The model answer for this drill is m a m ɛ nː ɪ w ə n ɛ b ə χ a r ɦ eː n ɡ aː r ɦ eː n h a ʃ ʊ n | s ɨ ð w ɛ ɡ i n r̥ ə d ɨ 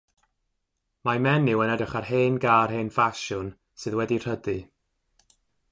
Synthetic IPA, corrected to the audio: m a m ɛ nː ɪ w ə n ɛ d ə χ a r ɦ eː n ɡ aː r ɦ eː n f a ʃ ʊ n | s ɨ ð w ɛ d i r̥ ə d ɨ